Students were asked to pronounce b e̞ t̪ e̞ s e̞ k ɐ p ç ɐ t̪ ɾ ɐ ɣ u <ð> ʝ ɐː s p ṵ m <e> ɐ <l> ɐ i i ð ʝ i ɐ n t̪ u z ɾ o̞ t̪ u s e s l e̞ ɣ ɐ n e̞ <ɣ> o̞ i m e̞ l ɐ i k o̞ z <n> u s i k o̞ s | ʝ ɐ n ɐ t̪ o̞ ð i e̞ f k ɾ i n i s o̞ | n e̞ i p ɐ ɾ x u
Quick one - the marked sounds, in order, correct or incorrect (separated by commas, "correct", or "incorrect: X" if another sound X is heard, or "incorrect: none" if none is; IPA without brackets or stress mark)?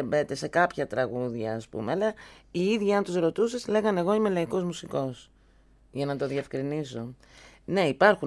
correct, correct, correct, correct, incorrect: m